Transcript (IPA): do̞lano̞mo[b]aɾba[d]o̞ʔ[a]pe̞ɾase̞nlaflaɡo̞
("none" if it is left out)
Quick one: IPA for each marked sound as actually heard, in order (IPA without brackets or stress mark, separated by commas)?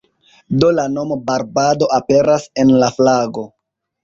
b, d, a